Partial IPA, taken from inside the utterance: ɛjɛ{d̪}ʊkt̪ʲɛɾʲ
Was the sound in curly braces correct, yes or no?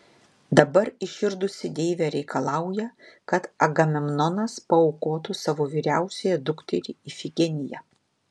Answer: yes